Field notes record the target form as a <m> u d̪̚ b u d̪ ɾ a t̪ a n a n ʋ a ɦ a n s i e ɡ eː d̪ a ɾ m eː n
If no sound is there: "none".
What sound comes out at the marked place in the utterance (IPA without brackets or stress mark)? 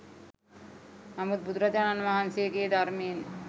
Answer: m